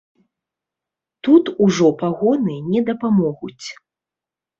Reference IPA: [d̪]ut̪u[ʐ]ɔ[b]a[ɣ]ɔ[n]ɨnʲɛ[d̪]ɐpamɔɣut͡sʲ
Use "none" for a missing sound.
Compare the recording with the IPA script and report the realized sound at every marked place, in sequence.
t̪, ʐ, p, ɣ, n, d̪

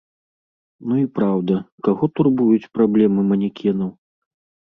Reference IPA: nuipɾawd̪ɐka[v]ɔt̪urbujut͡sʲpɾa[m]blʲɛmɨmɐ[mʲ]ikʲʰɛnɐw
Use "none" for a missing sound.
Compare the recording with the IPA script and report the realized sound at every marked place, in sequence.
ɣ, none, nʲ

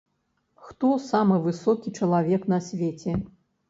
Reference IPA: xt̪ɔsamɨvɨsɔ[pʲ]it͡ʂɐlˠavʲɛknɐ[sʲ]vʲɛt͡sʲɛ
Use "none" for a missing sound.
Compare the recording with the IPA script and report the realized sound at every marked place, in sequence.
kʲ, sʲ

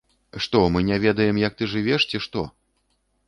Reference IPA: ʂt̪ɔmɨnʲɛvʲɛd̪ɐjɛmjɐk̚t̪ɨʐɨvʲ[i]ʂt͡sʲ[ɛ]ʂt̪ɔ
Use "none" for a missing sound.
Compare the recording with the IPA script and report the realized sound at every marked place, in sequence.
ɛ, i

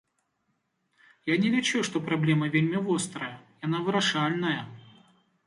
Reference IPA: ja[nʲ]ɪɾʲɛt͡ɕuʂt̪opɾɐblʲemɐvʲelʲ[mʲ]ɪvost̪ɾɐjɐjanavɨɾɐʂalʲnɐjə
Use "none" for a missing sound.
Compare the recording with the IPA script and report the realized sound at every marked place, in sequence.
nʲ, mʲ

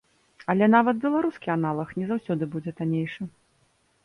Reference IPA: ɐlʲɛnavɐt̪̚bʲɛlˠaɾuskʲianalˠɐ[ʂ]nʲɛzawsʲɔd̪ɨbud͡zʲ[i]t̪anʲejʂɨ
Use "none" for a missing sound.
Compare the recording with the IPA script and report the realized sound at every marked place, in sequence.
x, ɛ

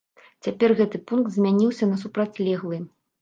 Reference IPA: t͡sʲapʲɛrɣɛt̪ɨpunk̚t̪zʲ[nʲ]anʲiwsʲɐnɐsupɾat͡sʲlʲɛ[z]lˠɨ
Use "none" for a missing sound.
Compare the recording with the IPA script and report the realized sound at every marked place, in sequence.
mʲ, ɣ

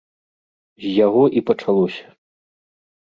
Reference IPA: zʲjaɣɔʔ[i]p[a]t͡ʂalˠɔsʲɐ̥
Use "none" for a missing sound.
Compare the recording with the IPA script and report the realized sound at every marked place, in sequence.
i, ɐ

